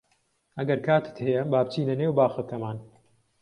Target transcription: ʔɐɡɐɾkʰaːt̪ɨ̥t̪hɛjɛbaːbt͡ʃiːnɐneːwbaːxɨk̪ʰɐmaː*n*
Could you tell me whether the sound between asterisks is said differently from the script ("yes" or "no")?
no